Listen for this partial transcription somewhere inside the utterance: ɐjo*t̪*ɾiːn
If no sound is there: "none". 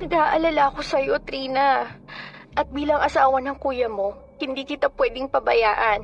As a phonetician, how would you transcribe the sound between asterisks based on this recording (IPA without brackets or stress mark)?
t̪